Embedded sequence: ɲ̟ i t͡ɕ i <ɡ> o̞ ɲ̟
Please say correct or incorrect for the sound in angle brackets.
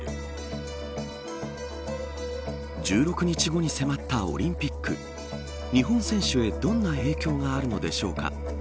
correct